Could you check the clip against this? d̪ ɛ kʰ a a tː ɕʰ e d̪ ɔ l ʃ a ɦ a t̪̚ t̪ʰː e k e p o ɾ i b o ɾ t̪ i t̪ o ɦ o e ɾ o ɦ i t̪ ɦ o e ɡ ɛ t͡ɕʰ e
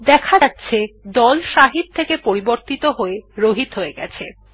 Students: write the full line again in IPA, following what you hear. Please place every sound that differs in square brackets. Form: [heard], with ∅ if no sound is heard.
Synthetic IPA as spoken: d̪ ɛ kʰ a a tː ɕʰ e d̪ ɔ l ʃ a ɦ [i] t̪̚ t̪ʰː e k e p o ɾ i b o ɾ t̪ i t̪ o ɦ o e ɾ o ɦ i t̪ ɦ o e ɡ ɛ t͡ɕʰ e